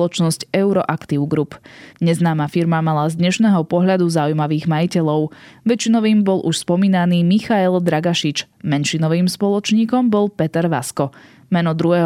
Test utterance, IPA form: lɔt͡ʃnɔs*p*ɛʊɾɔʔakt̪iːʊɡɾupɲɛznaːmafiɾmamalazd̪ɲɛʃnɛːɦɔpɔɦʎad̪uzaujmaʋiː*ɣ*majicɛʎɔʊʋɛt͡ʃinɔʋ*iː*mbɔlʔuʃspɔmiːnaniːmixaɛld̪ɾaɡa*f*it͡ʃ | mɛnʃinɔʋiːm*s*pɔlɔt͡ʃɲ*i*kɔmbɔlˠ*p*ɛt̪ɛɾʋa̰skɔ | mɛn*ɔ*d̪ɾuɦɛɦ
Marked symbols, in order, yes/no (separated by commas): no, yes, yes, no, yes, no, yes, yes